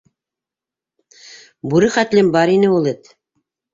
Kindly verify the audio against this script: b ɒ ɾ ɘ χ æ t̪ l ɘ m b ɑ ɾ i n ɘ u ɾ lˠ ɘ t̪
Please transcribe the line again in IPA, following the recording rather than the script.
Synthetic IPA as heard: b u ɾ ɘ χ æ t̪ l ɘ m b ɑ ɾ i n ɘ u lˠ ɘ t̪